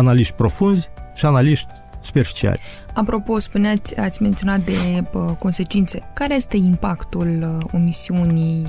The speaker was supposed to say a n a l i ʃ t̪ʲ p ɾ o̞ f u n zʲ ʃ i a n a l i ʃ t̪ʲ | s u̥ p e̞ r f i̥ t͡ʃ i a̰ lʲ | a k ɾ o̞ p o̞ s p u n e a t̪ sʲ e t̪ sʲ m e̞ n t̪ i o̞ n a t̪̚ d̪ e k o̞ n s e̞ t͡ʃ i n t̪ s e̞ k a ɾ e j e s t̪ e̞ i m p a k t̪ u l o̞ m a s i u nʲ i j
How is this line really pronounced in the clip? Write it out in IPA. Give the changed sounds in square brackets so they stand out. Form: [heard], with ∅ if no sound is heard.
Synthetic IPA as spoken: a n a l i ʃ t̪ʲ p ɾ o̞ f u n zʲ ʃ i a n a l i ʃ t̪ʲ | s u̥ p e̞ r f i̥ t͡ʃ i a̰ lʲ | a [p] ɾ o̞ p o̞ s p u n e a t̪ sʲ [a] t̪ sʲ m e̞ n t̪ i o̞ n a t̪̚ d̪ e k o̞ n s e̞ t͡ʃ i n t̪ s e̞ k a ɾ e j e s t̪ e̞ i m p a k t̪ u l o̞ m [i] s i u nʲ i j